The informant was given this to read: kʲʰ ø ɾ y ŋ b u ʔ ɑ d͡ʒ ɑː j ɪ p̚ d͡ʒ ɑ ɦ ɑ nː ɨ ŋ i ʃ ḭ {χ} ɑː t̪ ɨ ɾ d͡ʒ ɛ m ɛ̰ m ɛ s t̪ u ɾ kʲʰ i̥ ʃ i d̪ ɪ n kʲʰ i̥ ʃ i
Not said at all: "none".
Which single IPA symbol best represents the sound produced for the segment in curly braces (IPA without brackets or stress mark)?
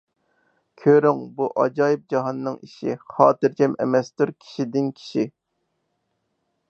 χ